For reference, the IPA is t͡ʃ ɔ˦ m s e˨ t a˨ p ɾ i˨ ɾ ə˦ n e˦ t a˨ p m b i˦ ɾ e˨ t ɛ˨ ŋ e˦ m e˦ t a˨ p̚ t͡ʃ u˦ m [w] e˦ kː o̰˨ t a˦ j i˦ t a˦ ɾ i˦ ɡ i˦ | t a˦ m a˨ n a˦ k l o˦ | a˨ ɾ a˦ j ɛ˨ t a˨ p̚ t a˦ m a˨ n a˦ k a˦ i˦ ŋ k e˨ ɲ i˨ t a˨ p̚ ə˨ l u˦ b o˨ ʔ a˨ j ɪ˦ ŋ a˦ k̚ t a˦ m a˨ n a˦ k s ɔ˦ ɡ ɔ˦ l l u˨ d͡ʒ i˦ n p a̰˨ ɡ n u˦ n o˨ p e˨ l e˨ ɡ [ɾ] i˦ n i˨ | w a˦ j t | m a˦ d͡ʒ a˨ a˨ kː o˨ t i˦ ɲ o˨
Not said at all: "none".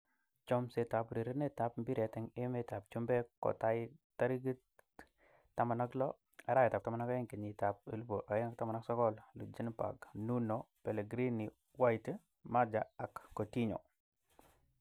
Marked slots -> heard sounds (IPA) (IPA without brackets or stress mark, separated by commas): b, ɾ